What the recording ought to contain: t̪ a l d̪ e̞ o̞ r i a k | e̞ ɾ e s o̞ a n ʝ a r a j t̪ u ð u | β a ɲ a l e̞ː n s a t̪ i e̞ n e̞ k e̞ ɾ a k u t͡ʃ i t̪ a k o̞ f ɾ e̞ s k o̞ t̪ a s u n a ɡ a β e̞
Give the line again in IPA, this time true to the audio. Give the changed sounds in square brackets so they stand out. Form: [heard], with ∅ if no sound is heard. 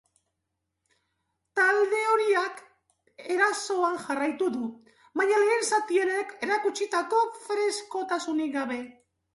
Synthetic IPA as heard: t̪ a l d̪ e̞ o̞ [ɾ] i a k | e̞ ɾ [a] s o̞ a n ʝ a r a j t̪ u ð u | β a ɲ a l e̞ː n s a t̪ i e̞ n e̞ k e̞ ɾ a k u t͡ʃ i t̪ a k o̞ f ɾ e̞ s k o̞ t̪ a s u n [i] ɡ a β e̞